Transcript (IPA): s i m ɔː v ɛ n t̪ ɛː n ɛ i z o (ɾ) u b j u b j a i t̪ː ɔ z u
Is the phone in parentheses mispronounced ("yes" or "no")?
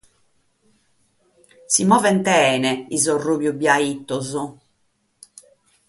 yes